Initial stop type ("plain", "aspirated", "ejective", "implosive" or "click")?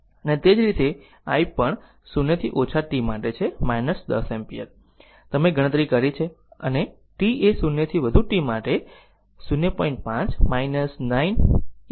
plain